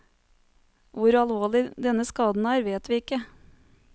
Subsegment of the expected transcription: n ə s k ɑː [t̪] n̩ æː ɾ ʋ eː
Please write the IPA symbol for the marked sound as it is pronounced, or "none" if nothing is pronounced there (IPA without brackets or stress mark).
d̪